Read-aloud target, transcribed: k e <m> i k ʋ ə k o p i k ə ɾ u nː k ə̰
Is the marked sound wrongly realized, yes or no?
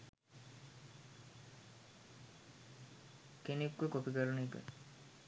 yes